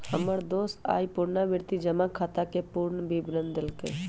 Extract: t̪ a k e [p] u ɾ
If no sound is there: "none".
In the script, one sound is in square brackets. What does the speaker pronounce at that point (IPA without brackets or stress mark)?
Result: p